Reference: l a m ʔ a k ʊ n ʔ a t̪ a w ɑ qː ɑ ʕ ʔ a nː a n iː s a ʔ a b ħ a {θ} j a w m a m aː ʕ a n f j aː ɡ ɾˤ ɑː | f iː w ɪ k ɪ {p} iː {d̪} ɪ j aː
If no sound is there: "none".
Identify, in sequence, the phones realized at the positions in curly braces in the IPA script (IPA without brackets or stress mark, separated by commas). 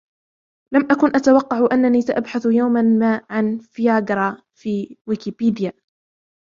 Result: θ, p, d̪